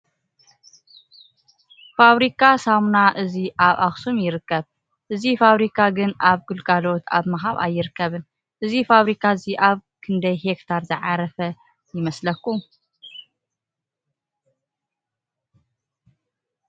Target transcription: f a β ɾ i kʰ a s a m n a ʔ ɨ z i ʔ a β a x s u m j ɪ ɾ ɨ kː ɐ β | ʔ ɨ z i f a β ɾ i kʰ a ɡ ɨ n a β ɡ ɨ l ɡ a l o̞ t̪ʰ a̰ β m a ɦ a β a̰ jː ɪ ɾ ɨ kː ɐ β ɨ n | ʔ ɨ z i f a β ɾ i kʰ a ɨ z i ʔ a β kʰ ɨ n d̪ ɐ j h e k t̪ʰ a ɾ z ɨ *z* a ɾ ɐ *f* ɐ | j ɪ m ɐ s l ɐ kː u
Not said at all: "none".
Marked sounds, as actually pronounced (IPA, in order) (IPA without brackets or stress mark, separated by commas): ʕ, f